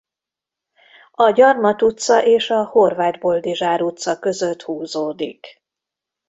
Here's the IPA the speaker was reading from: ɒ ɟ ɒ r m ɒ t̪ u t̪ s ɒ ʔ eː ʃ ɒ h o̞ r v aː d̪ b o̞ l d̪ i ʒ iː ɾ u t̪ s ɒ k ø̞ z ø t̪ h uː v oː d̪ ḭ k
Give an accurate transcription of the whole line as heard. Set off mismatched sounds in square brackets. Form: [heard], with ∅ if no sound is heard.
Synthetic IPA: ɒ ɟ ɒ r m ɒ t̪ u t̪ s ɒ ʔ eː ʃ ɒ h o̞ r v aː d̪ b o̞ l d̪ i ʒ [aː] ɾ u t̪ s ɒ k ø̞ z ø t̪ h uː [z] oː d̪ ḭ k